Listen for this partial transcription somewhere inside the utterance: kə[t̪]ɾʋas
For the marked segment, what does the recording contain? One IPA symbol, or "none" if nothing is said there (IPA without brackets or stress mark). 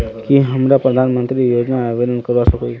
none